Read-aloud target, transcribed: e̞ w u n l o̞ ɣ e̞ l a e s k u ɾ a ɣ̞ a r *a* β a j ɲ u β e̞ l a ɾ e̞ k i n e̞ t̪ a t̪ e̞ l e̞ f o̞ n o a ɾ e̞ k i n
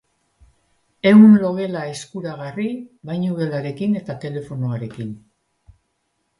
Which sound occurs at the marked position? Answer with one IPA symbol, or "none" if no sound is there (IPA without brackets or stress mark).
i